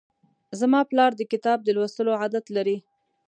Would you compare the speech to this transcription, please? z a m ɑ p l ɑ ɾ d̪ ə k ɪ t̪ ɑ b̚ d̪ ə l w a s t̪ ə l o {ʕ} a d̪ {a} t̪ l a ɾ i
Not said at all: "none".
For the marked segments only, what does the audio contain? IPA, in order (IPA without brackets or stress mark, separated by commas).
ʕ, a